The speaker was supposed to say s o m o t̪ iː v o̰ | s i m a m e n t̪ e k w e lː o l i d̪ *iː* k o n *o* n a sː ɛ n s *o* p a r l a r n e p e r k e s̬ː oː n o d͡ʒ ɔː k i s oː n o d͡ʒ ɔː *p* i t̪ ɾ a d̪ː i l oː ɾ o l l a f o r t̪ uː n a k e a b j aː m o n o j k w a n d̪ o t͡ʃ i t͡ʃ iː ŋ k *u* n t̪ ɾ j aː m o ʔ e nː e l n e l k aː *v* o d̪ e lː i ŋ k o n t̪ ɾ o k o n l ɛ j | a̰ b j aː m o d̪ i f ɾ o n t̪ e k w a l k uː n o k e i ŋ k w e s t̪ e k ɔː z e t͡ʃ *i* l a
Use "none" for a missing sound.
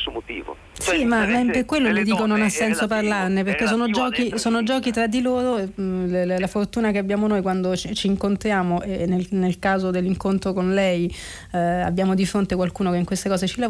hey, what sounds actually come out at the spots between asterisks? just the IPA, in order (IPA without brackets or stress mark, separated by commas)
iː, o, o, k, o, z, i